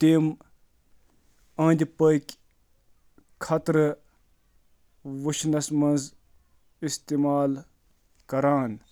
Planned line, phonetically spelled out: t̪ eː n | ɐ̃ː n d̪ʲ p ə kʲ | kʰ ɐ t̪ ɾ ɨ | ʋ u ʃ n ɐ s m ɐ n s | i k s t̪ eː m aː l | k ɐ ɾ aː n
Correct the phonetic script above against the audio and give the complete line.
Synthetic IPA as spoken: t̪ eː m | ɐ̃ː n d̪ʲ p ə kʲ | kʰ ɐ t̪ ɾ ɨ | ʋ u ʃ n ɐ s m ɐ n z | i s t̪ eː m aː l | k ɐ ɾ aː n